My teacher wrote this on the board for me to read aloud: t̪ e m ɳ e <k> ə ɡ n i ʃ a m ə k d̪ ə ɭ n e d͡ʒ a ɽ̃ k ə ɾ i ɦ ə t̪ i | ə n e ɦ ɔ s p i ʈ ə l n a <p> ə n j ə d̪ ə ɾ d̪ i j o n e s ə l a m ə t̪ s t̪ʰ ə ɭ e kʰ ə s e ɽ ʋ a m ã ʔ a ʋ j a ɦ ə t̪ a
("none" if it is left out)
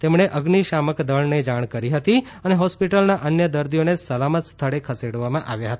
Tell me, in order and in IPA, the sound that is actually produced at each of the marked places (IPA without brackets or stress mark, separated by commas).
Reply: ʔ, ʔ